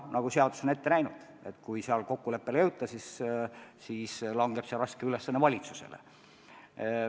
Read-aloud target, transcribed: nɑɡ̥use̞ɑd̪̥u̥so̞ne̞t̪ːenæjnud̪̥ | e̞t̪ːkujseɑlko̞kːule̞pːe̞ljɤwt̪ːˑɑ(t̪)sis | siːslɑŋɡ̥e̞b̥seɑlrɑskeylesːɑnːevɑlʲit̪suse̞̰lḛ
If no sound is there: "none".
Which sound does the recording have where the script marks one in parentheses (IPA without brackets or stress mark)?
none